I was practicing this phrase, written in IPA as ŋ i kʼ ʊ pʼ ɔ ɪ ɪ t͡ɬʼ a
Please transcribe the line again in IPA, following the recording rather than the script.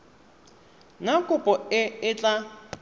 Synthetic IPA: ŋ a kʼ ʊ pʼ ɔ ɪ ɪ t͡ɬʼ a